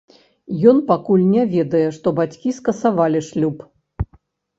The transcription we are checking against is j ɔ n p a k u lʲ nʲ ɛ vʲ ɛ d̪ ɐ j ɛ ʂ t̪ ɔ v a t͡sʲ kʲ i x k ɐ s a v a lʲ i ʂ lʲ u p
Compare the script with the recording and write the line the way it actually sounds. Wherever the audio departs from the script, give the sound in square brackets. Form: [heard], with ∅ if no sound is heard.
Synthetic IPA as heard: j ɔ n p a k u lʲ nʲ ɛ vʲ ɛ d̪ ɐ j ɛ ʂ t̪ ɔ [b] a t͡sʲ kʲ i [s] k ɐ s a v a lʲ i ʂ lʲ u p